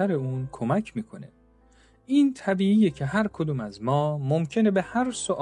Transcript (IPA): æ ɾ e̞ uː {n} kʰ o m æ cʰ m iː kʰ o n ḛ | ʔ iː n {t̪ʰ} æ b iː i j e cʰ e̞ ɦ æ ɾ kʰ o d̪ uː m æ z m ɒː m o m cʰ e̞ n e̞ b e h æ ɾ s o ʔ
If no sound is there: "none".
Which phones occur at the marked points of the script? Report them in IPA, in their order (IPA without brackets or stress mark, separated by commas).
n, t̪ʰ